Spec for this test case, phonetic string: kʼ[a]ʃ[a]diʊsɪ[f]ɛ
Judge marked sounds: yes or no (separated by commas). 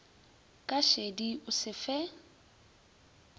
yes, no, yes